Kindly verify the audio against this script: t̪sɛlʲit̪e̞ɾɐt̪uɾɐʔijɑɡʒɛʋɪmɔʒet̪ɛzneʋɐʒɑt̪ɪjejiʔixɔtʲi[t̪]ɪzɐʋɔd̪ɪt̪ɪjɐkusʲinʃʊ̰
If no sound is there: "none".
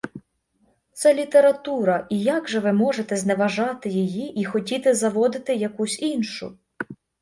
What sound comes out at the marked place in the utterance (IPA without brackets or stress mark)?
t̪